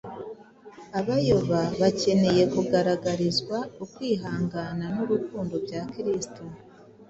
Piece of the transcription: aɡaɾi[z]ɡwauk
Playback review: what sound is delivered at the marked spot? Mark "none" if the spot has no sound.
z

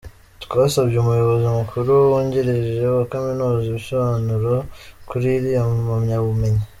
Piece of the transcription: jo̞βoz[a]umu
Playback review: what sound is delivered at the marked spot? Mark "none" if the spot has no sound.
i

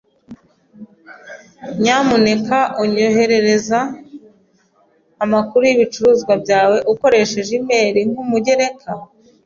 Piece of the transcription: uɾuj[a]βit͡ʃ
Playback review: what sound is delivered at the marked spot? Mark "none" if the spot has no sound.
i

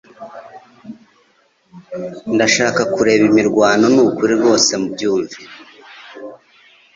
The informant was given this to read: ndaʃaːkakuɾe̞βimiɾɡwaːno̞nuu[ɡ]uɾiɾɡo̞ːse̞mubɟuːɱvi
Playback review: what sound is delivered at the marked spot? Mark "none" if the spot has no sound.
k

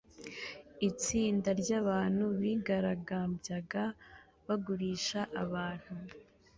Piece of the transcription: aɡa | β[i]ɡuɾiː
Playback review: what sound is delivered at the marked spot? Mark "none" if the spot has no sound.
a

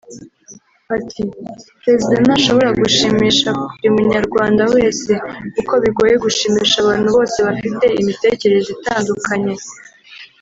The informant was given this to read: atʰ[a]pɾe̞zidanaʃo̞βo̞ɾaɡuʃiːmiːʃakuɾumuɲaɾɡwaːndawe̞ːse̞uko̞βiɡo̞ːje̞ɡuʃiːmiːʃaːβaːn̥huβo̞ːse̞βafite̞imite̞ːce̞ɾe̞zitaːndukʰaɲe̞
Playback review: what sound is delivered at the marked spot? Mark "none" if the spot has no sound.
i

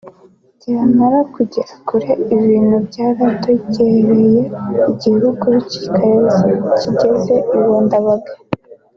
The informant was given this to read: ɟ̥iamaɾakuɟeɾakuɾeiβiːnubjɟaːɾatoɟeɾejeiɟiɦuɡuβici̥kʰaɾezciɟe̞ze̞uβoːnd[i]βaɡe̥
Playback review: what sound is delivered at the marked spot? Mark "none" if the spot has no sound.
a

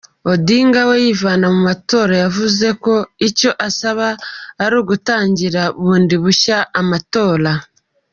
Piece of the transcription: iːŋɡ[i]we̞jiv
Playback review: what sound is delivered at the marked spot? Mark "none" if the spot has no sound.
a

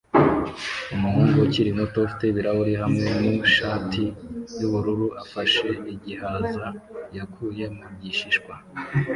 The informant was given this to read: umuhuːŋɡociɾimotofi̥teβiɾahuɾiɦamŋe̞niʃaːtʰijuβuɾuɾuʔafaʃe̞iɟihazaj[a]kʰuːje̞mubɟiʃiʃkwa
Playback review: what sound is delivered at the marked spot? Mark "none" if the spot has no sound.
a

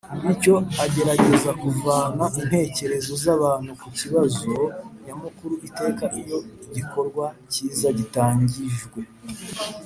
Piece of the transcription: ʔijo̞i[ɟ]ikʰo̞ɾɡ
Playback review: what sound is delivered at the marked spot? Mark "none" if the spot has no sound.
ɟ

